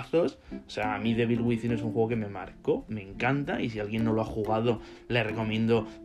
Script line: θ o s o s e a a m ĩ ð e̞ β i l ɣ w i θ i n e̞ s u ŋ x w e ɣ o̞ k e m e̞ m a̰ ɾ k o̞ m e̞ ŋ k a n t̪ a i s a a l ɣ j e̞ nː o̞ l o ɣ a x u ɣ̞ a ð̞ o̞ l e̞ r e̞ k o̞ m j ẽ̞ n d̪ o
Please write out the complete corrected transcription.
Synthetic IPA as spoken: θ o s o s e a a m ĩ ð e̞ β i l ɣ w i θ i n e̞ s u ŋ x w e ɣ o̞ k e m e̞ m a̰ ɾ k o̞ m e̞ ŋ k a n t̪ a i s i a l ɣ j e̞ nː o̞ l o a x u ɣ̞ a ð̞ o̞ l e̞ r e̞ k o̞ m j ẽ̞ n d̪ o